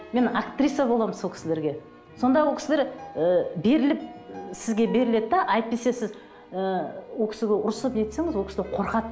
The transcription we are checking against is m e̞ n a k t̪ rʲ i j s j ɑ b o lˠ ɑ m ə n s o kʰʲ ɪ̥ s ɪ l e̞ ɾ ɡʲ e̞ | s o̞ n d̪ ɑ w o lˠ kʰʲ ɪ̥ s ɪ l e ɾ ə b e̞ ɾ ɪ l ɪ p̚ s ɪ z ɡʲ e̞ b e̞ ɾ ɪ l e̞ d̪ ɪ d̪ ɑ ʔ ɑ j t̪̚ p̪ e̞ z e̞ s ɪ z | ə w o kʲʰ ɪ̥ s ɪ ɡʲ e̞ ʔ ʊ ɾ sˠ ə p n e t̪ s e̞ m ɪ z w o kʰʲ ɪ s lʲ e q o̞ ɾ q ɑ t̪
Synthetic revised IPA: m e̞ n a k t̪ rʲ i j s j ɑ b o lˠ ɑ m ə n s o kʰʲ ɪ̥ s ɪ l e̞ ɾ ɡʲ e̞ | s o̞ n d̪ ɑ w o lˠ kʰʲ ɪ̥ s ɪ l e ɾ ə b e̞ ɾ ɪ l ɪ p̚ s ɪ z ɡʲ e̞ b e̞ ɾ ɪ l e̞ d̪ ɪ d̪ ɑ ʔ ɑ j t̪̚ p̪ e̞ s e̞ s ɪ z | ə w o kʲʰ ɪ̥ s ɪ ɡʲ e̞ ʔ ʊ ɾ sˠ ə p n e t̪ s e̞ ŋ ɪ z w o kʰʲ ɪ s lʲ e qʰ o̞ ɾ q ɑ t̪